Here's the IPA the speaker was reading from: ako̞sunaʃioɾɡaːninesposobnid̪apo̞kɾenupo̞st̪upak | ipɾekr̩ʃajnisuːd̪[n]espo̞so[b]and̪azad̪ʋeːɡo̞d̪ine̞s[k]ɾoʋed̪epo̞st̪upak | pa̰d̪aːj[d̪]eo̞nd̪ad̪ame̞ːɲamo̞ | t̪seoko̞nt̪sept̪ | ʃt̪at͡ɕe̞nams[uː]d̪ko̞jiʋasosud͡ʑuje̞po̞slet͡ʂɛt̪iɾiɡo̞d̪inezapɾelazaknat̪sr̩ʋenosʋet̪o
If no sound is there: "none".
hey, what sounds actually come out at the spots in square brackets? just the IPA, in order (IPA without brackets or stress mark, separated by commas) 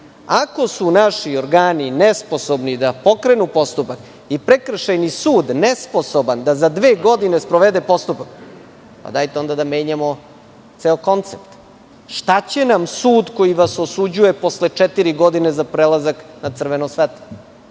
n, b, p, t̪, uː